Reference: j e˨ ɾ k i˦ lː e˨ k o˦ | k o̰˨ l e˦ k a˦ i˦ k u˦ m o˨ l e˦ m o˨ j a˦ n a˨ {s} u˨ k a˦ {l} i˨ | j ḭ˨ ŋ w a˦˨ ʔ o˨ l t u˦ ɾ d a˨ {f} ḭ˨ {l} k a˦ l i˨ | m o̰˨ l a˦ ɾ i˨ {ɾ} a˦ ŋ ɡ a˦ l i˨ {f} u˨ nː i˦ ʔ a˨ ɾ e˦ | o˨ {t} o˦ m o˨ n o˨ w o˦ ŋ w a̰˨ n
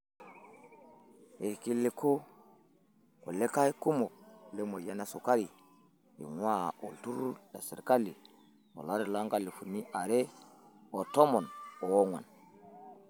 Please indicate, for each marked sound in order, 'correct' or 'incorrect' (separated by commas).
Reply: correct, incorrect, incorrect, incorrect, incorrect, correct, correct